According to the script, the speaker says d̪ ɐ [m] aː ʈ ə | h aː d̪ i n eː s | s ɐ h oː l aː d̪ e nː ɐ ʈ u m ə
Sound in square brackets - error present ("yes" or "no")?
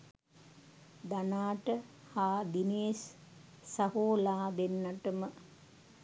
yes